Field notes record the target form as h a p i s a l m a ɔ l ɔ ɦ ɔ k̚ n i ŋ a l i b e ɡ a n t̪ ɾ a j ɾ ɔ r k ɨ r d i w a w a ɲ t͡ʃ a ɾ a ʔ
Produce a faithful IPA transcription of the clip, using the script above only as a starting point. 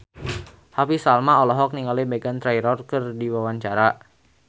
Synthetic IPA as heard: h a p i s a l m a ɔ l ɔ ɦ ɔ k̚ n i ŋ a l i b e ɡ a n t̪ ɾ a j ɾ ɔ r k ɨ r d i w a w a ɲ t͡ʃ a ɾ a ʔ